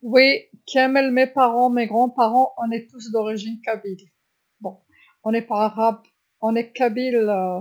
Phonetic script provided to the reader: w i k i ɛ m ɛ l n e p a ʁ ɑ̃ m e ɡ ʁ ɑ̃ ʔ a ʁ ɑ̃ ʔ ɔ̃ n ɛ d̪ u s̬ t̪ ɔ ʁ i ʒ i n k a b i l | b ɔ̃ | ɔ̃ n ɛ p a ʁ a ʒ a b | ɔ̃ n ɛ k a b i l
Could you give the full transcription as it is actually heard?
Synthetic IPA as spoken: w i k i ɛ m ɛ l m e p a ʁ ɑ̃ m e ɡ ʁ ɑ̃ p a ʁ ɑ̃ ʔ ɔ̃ n ɛ t̪ u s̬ d̪ ɔ ʁ i ʒ i n k a b i l | b ɔ̃ | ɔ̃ n ɛ p a ʁ a ʁ a b | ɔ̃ n ɛ k a b i l

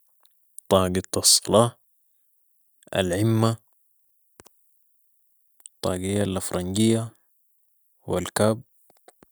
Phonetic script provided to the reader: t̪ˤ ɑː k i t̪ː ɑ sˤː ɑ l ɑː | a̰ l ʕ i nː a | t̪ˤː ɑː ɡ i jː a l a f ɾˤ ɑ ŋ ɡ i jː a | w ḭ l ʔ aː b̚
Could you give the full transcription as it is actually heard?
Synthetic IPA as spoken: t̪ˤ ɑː ɡ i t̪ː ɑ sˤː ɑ l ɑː | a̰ l ʕ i mː a | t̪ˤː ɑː ɡ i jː a l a f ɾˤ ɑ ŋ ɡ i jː a | w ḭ l k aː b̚

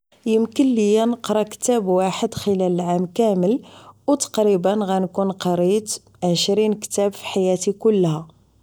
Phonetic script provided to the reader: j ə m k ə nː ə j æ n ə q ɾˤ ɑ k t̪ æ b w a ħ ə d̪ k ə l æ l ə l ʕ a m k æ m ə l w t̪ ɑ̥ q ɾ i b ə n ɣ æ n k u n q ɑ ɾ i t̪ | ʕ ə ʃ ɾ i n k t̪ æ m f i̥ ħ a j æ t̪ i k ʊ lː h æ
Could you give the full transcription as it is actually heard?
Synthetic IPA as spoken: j ə m k ə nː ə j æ n ə q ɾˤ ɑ k t̪ æ b w a ħ ə d̪ x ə l æ l ə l ʕ a m k æ m ə l w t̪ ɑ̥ q ɾ i b ə n ɣ æ n k u n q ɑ ɾ i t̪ | ʕ ə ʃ ɾ i n k t̪ æ b f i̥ ħ a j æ t̪ i k ʊ lː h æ

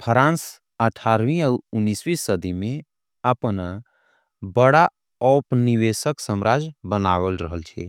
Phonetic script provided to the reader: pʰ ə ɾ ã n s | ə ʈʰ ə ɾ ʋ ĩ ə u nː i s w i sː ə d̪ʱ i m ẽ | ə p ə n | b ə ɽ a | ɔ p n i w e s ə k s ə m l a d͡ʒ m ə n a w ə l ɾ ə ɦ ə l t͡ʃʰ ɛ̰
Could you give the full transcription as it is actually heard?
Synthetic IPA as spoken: pʰ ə ɾ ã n s | ə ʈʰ a ɾ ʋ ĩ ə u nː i s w i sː ə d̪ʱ i m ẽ | ə p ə n | b ə ɽ a | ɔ p n i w e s ə k s ə m ɾ a d͡ʒ b ə n a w ə l ɾ ə ɦ ə l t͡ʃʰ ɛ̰

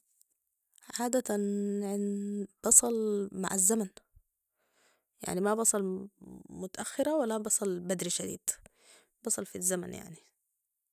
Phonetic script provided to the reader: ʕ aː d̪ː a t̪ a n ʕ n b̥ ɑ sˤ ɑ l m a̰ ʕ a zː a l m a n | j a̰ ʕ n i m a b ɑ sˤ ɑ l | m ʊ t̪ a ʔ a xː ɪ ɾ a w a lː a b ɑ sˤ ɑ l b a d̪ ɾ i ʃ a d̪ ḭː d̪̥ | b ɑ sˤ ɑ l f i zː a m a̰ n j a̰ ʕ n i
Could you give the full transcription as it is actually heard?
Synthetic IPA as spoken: ʕ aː d̪ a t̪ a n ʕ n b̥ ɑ sˤ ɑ l m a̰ ʕ a zː a m a n | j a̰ ʕ n i m a b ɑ sˤ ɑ l | m ʊ t̪ a ʔ a xː ɪ ɾ a w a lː a b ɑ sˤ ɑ l b a d̪ ɾ i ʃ a d̪ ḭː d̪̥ | b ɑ sˤ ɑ l f i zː a m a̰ n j a̰ ʕ n i

